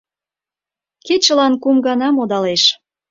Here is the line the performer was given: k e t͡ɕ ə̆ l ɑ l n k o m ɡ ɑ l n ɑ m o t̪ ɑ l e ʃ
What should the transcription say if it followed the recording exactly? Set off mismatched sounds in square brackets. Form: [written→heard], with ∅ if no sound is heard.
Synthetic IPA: k e t͡ɕ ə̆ l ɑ [l→∅] n k [o→u] m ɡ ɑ [l→∅] n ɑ m o [t̪→d̪] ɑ l e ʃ